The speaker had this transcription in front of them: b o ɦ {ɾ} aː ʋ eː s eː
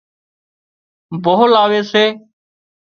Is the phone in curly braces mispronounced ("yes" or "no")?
yes